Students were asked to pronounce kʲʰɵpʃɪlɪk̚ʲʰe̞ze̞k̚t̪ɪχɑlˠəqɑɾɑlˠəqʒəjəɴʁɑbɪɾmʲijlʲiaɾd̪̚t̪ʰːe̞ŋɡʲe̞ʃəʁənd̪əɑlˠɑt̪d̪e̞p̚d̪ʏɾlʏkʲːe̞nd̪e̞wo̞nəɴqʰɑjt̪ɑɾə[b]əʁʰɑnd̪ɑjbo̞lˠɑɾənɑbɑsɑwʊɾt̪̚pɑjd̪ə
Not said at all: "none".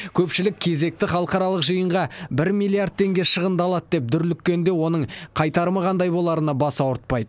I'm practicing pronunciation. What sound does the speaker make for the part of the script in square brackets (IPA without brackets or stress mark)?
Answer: m